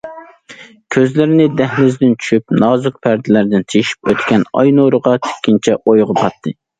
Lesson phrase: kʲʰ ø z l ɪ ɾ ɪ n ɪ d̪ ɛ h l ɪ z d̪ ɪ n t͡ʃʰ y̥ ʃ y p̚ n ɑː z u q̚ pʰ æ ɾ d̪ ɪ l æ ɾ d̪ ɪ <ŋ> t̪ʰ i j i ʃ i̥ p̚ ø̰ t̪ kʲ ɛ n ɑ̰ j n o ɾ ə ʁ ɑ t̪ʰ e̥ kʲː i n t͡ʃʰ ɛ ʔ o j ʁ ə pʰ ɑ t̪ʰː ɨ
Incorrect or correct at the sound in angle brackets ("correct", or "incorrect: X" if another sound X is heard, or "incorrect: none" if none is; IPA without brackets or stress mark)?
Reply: incorrect: n